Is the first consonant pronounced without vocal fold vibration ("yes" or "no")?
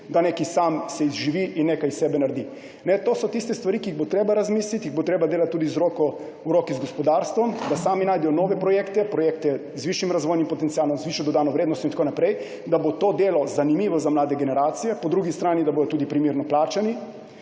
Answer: no